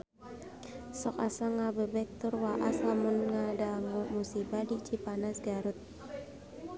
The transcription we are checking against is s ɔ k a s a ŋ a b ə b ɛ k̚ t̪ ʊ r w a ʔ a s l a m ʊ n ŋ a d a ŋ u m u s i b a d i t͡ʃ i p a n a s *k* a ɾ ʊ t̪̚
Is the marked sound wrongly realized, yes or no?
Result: yes